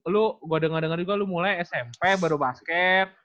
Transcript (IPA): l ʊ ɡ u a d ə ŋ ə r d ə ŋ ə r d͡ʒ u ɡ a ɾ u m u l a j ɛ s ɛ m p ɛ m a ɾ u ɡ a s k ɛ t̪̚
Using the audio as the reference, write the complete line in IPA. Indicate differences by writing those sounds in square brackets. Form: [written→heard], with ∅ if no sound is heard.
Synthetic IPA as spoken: l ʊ ɡ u a d ə ŋ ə r d ə ŋ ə r d͡ʒ u ɡ a [ɾ→l] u m u l a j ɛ s ɛ m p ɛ [m→b] a ɾ u [ɡ→b] a s k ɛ t̪̚